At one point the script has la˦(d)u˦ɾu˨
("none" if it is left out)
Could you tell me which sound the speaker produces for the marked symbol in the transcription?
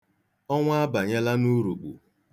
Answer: n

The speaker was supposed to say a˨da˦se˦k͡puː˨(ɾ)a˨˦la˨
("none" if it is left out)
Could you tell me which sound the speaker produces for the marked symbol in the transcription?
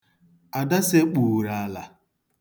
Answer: ɾ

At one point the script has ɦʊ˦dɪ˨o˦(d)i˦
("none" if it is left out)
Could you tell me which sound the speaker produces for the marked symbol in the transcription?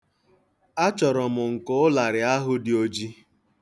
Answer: d͡ʒ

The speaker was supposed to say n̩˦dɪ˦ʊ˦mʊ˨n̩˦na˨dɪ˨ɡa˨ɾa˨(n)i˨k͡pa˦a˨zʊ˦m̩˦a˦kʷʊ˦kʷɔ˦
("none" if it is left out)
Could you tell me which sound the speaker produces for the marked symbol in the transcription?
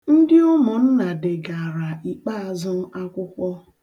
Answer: none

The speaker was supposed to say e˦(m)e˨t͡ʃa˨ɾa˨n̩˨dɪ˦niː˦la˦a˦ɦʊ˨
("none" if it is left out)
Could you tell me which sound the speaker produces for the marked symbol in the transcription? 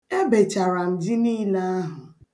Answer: b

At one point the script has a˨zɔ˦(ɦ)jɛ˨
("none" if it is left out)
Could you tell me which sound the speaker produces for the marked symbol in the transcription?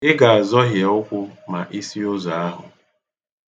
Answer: ɦ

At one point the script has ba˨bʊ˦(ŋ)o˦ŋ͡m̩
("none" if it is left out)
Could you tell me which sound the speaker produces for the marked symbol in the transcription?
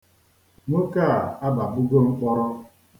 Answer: ɡ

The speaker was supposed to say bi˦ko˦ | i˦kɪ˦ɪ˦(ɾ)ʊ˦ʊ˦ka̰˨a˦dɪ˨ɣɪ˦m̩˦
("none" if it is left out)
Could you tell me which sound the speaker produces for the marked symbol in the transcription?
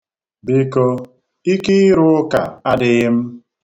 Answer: ɾ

